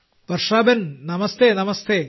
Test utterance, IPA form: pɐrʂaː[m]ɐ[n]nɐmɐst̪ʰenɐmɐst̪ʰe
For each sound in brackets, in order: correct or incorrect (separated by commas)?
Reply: incorrect, correct